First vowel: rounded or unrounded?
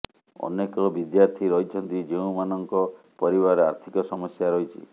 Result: rounded